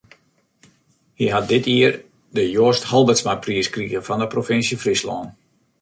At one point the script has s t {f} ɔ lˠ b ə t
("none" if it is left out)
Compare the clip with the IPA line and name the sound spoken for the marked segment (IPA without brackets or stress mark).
h